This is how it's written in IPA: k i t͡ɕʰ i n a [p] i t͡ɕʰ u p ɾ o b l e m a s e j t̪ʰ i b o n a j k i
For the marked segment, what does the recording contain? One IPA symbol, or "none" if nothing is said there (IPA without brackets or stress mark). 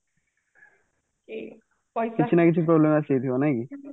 k